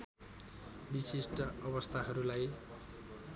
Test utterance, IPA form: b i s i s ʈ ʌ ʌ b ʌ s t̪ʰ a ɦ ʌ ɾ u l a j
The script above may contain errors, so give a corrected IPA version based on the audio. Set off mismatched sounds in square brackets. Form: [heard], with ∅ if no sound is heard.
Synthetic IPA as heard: b i s i s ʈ ʌ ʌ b ʌ s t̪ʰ a ɦ ʌ ɾ u l a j